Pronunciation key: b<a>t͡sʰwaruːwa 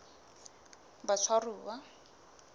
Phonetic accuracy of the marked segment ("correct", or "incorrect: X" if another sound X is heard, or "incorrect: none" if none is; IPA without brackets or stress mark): correct